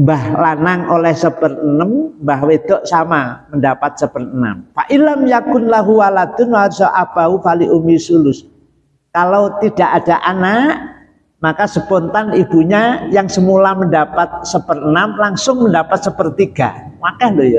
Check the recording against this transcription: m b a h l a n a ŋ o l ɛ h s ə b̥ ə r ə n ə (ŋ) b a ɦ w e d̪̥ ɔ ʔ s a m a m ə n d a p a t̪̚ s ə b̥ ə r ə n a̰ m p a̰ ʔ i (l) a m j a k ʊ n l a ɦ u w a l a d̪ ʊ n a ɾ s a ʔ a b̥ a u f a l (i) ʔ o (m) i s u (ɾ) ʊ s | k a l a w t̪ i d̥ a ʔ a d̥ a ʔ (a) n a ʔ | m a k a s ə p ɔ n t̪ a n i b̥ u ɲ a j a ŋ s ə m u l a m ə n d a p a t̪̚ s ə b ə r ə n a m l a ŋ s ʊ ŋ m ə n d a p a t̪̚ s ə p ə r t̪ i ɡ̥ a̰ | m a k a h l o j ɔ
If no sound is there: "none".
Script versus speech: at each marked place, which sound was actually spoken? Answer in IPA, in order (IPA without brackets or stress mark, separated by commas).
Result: m, l, i, m, l, a